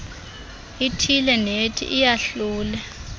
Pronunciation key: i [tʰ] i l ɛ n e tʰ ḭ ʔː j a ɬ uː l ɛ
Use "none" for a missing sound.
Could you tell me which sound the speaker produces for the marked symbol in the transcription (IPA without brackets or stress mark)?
tʰ